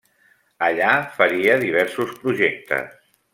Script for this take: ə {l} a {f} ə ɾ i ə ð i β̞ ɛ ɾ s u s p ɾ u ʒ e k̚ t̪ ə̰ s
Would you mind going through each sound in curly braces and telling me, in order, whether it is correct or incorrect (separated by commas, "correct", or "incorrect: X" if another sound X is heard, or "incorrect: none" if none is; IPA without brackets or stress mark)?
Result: incorrect: ʎ, correct